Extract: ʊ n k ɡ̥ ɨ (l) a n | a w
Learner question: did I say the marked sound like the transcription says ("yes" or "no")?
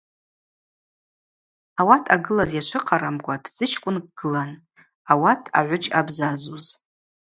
yes